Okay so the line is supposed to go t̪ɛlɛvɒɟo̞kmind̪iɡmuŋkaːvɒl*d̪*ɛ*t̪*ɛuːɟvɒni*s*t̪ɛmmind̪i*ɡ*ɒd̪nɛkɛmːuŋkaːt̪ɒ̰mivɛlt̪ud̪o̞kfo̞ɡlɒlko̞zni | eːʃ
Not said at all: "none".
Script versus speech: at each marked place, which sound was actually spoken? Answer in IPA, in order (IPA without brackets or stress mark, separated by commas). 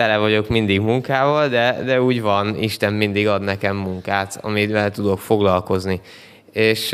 d̪, d̪, ʃ, ɡ